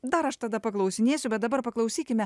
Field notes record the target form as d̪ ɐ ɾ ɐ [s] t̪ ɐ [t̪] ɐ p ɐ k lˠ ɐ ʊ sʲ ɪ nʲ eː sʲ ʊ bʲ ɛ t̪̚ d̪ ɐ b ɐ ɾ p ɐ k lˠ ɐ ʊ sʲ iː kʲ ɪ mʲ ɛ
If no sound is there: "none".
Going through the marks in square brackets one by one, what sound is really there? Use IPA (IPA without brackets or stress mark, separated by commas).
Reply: ʃ, d̪